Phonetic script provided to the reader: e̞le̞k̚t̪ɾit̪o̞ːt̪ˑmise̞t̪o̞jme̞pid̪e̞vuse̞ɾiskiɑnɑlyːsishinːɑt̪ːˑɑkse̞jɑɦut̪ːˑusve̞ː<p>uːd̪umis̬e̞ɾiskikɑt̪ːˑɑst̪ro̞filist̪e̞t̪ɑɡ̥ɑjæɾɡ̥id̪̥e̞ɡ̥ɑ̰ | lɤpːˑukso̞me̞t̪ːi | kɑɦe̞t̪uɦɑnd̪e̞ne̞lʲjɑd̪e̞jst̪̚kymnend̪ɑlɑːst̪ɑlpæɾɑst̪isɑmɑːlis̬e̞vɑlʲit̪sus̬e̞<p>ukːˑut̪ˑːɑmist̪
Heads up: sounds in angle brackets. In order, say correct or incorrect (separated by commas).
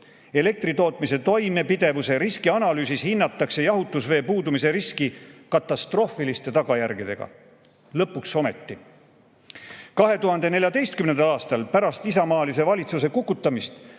correct, incorrect